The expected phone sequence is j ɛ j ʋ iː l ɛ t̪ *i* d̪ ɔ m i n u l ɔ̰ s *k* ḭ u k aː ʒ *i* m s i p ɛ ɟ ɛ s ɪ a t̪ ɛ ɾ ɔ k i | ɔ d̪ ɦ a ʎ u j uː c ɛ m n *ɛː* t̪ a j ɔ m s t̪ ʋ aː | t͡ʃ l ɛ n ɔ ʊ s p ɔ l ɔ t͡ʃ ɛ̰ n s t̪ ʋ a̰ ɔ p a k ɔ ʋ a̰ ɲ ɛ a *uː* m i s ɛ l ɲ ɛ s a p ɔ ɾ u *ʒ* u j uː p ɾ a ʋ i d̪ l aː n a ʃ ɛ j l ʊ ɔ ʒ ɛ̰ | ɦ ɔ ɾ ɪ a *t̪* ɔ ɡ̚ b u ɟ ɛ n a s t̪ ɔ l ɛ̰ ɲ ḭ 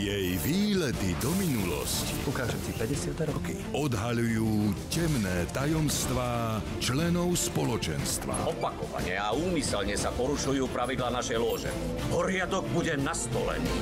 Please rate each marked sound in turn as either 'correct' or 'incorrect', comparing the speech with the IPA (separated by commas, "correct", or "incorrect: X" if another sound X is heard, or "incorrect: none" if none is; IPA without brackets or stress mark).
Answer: correct, incorrect: c, incorrect: ɛ, correct, correct, incorrect: ʃ, incorrect: d̪